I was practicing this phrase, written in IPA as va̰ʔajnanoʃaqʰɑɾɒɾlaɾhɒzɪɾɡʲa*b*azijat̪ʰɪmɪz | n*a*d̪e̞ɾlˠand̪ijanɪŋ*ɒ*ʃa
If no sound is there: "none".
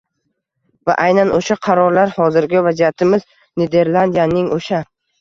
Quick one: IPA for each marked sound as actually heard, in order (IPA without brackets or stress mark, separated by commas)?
v, e, o